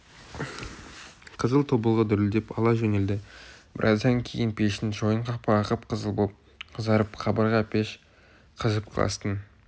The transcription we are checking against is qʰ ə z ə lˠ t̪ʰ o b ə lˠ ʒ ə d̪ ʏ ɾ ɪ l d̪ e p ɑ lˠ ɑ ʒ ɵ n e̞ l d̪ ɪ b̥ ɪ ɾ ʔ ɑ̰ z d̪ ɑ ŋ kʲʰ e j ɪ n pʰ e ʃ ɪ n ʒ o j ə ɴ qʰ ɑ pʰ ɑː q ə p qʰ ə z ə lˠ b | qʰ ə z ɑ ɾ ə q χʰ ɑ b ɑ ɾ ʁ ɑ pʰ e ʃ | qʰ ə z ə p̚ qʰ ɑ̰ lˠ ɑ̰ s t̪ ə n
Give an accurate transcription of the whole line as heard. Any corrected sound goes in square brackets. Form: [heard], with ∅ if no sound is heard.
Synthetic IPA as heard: qʰ ə z ə lˠ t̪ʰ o b ə lˠ [ʁ] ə d̪ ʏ ɾ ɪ l d̪ e p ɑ lˠ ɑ ʒ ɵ n e̞ l d̪ ɪ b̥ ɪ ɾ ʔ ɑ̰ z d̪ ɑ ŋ kʲʰ e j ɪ n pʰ e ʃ ɪ n ʒ o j ə ɴ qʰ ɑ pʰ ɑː q ə p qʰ ə z ə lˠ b | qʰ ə z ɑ ɾ ə [p] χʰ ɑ b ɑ ɾ ʁ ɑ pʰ e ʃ | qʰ ə z ə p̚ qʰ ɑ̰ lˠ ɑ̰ s t̪ ə n